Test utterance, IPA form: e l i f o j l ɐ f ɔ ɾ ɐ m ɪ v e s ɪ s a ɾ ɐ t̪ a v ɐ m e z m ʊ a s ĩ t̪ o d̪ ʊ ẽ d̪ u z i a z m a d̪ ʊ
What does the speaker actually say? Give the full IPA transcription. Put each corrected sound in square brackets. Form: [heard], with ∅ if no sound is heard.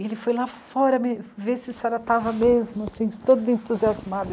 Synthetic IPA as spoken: e l [ɪ] f o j l [a] f ɔ ɾ ɐ m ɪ v e s ɪ s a ɾ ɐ t̪ a v ɐ m e z m ʊ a s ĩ t̪ o d̪ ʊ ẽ [t̪] u z i a z m a d̪ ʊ